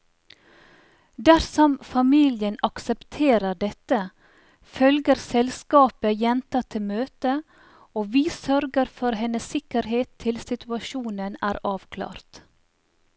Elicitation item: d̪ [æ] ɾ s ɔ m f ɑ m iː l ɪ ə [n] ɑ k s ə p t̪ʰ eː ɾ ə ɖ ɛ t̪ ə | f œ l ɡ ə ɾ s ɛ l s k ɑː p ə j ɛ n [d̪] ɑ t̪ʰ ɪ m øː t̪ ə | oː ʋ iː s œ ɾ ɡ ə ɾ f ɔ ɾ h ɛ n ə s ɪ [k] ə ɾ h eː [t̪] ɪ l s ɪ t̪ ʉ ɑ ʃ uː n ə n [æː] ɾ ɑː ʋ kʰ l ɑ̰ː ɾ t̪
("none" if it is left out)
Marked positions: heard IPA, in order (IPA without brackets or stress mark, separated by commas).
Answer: æ, n, t̪, k, t̪ʰ, æː